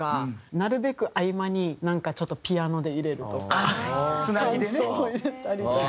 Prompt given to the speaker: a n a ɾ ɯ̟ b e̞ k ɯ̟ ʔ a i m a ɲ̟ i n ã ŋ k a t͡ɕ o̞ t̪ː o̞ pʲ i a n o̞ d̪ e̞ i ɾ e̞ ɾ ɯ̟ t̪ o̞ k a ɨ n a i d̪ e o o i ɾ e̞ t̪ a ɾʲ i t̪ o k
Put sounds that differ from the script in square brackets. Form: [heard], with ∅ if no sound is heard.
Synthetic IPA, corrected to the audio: a n a ɾ ɯ̟ b e̞ k ɯ̟ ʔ a i m a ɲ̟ i n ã ŋ k a t͡ɕ o̞ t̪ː o̞ pʲ i a n o̞ d̪ e̞ i ɾ e̞ ɾ ɯ̟ t̪ o̞ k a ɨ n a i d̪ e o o i ɾ e̞ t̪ a ɾʲ i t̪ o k